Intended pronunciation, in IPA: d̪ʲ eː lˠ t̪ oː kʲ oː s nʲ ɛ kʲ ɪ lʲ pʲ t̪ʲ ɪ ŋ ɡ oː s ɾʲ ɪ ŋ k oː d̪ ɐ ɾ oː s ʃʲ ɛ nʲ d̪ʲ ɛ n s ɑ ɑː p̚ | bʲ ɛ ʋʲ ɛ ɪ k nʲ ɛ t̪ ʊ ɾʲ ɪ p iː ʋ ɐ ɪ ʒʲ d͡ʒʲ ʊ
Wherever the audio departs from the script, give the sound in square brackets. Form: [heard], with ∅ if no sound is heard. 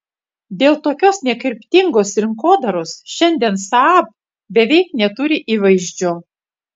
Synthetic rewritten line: d̪ʲ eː lˠ t̪ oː kʲ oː s nʲ ɛ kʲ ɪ [ɾʲ] pʲ t̪ʲ ɪ ŋ ɡ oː s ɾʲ ɪ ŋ k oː d̪ ɐ ɾ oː s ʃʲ ɛ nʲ d̪ʲ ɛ n s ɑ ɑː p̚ | bʲ ɛ ʋʲ ɛ ɪ k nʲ ɛ t̪ ʊ ɾʲ ɪ [ʔ] iː ʋ ɐ ɪ ʒʲ d͡ʒʲ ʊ